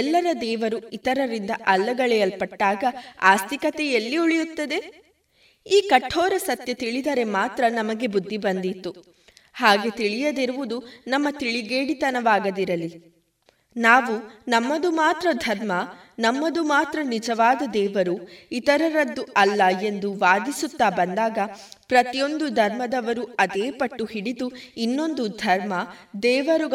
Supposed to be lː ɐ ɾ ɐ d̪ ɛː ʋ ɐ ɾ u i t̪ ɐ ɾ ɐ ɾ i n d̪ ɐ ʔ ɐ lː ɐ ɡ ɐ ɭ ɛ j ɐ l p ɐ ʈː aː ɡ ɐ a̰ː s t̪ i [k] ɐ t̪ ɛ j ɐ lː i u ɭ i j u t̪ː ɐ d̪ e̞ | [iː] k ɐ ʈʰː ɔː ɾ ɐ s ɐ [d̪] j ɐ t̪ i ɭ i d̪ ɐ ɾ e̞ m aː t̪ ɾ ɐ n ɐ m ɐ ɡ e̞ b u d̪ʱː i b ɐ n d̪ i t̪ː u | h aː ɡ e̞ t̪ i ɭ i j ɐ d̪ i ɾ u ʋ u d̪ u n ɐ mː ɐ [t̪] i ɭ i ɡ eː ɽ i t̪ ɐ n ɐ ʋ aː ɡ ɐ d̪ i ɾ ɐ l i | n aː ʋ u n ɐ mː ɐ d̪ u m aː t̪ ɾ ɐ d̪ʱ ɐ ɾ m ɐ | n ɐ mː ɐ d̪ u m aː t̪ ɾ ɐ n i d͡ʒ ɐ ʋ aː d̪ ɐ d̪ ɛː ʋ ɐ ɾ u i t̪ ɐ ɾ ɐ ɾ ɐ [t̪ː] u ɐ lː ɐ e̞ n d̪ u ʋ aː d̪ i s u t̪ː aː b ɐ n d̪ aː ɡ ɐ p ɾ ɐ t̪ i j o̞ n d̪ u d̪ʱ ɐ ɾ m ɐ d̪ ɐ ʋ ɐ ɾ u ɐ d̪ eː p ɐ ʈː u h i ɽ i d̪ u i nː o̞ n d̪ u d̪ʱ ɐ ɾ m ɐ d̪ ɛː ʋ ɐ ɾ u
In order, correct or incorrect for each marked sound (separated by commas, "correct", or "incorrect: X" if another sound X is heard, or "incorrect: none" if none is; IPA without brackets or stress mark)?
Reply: correct, correct, incorrect: t̪, correct, incorrect: d̪ː